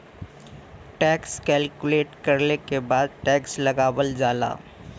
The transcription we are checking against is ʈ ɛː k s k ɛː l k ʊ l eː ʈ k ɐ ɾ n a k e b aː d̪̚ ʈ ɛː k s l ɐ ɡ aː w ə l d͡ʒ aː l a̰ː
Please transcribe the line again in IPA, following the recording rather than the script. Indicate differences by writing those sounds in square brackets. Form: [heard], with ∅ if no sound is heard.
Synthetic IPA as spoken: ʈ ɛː k s k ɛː l k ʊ l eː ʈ k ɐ ɾ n [e] k e b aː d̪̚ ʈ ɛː k s l ɐ ɡ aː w ə l d͡ʒ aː l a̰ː